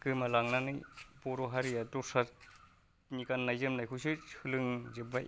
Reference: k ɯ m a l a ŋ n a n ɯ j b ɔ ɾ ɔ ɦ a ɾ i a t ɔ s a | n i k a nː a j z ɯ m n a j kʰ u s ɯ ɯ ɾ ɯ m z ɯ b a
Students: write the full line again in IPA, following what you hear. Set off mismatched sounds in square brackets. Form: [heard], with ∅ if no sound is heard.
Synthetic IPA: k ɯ m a l a ŋ n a n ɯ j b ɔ ɾ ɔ ɦ a ɾ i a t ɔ s a | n i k a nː a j z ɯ m n a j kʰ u s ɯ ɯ [l] ɯ [ŋ] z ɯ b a

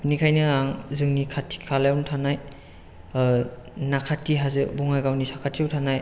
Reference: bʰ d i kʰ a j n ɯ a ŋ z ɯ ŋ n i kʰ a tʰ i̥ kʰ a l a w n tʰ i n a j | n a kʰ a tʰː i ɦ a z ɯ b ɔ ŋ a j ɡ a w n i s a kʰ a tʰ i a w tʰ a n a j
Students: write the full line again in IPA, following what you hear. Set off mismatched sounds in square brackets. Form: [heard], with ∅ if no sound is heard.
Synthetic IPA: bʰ [n] i kʰ a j n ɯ a ŋ z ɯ ŋ n i kʰ a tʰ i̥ kʰ a l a w n tʰ [a] n a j | n a kʰ a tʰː i ɦ a z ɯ b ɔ ŋ a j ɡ a w n i s a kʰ a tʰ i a w tʰ a n a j

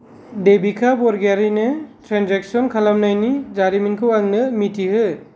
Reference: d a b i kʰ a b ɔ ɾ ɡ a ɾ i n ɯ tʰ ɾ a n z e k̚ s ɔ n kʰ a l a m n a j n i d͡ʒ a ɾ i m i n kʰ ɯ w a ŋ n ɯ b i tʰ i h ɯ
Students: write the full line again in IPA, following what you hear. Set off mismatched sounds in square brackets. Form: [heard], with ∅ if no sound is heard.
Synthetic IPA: d [e] b i kʰ a b ɔ ɾ ɡ a ɾ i n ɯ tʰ ɾ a n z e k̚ s ɔ n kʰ a l a m n a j n i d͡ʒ a ɾ i m i n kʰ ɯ w a ŋ n ɯ [m] i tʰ i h ɯ

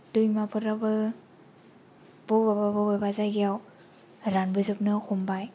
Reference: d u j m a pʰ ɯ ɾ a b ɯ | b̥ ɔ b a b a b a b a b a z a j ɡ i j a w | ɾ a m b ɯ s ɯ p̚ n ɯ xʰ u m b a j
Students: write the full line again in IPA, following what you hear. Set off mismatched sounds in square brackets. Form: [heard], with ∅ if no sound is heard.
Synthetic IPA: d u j m a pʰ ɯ ɾ a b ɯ | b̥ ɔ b a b a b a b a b a z a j ɡ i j a w | ɾ a [n] b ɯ [z] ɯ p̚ n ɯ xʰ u m b a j

